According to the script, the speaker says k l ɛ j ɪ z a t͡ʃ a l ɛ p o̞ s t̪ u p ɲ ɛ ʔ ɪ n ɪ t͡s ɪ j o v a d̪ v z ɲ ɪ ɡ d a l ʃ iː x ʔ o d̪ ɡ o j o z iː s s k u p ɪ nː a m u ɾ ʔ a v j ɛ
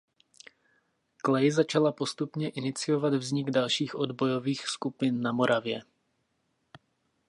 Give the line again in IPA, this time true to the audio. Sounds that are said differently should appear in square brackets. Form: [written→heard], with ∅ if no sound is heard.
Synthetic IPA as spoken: k l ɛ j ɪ z a t͡ʃ a l [ɛ→a] p o̞ s t̪ u p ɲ ɛ ʔ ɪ n ɪ t͡s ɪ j o v a d̪ v z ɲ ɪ ɡ d a l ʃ iː x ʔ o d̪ [ɡ→b] o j o [z→v] iː [s→x] s k u p ɪ nː a m [u→o] ɾ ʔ a v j ɛ

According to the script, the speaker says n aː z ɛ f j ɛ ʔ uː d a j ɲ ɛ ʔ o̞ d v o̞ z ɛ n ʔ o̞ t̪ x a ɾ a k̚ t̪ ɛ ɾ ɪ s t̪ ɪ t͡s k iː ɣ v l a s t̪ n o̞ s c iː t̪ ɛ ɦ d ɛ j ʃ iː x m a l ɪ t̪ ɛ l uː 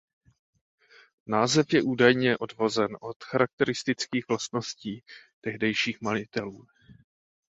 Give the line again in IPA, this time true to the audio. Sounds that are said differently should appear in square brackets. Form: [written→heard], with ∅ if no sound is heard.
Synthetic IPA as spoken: n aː z ɛ f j ɛ ʔ uː d a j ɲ ɛ ʔ o̞ d v o̞ z ɛ n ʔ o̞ t̪ x a ɾ a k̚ t̪ ɛ ɾ ɪ s t̪ ɪ t͡s k iː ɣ v l a s t̪ n o̞ s c iː t̪ ɛ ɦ d ɛ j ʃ iː x m a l ɪ t̪ ɛ l uː

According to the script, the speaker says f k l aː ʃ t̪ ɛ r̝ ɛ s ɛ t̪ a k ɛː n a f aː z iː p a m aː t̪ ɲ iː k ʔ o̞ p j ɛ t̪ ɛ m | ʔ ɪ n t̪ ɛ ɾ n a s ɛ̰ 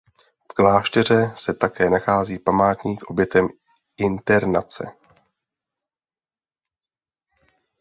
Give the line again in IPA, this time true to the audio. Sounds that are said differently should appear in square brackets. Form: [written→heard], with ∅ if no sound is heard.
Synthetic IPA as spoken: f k l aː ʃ t̪ ɛ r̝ ɛ s ɛ t̪ a k ɛː n a [f→x] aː z iː p a m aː t̪ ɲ iː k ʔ o̞ [p→b] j ɛ t̪ ɛ m | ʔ ɪ n t̪ ɛ ɾ n a [s→t͡s] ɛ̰

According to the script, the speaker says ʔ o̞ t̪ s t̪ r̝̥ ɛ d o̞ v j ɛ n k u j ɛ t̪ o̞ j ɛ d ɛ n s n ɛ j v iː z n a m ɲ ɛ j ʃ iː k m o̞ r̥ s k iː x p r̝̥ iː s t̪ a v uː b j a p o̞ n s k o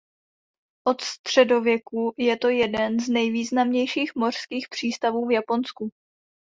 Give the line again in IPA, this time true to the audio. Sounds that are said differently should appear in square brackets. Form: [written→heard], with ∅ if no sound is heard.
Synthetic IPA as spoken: ʔ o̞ t̪ s t̪ r̝̥ ɛ d o̞ v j ɛ [n→∅] k u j ɛ t̪ o̞ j ɛ d ɛ n [s→z] n ɛ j v iː z n a m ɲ ɛ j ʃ iː [k→x] m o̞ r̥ s k iː x p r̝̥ iː s t̪ a v uː [b→v] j a p o̞ n s k [o→u]

